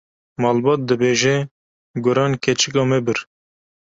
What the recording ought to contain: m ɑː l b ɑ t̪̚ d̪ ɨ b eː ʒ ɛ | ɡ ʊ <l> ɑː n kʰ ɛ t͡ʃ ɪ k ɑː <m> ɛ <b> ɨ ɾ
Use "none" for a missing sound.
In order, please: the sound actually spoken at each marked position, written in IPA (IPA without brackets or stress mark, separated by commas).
ɾ, m, b